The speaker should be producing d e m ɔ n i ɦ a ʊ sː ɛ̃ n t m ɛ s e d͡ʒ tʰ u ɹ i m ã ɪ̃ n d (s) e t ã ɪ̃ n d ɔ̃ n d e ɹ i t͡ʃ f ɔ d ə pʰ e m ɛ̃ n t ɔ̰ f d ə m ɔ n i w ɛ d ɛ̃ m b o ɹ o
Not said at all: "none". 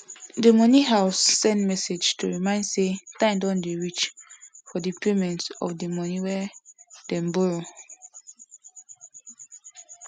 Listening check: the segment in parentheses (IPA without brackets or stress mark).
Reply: s